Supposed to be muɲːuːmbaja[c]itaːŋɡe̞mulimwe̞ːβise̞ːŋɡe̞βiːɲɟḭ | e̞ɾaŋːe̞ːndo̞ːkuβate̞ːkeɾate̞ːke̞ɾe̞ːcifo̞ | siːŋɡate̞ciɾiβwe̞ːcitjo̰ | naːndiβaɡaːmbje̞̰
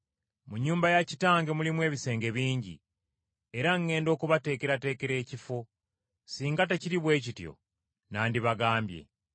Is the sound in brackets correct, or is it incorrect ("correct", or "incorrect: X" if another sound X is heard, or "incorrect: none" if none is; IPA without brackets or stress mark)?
correct